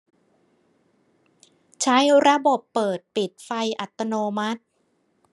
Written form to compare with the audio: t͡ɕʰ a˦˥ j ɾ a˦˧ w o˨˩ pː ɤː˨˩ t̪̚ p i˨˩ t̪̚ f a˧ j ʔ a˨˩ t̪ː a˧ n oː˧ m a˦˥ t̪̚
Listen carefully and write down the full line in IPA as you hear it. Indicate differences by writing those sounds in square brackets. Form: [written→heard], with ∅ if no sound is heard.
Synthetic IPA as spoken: t͡ɕʰ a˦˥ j ɾ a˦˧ [w→b] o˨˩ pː ɤː˨˩ t̪̚ p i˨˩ t̪̚ f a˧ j ʔ a˨˩ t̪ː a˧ n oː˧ m a˦˥ t̪̚